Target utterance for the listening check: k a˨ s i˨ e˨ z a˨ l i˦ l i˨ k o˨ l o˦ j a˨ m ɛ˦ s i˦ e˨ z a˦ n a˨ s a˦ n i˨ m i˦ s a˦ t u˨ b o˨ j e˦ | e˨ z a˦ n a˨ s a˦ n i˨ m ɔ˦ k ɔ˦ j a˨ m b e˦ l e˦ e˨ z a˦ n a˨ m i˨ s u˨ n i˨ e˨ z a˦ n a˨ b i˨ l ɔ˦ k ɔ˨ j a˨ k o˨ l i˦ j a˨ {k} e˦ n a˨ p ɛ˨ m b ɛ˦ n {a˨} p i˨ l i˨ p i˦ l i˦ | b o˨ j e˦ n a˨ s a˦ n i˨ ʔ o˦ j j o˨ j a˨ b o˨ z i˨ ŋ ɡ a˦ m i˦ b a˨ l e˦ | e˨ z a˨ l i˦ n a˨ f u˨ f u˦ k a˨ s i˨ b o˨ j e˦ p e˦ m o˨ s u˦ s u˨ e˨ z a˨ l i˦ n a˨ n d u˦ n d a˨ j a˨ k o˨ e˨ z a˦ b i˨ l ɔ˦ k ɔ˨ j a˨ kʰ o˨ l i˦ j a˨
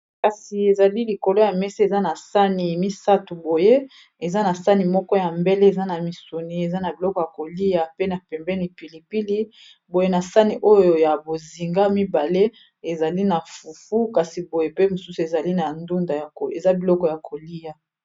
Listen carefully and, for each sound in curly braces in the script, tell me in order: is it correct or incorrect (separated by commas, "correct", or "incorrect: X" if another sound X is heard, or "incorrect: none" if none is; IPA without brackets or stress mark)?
incorrect: p, incorrect: i˨